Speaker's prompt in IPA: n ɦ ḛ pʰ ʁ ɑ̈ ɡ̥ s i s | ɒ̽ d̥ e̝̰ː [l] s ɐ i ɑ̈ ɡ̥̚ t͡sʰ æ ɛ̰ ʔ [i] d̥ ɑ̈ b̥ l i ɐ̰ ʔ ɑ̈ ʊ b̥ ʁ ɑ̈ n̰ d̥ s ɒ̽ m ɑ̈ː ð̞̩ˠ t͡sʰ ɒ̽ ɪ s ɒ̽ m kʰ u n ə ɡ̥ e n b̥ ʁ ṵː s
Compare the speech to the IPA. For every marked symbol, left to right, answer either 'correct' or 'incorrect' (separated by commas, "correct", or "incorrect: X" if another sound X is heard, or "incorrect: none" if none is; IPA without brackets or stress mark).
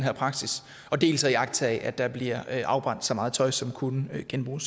correct, incorrect: æ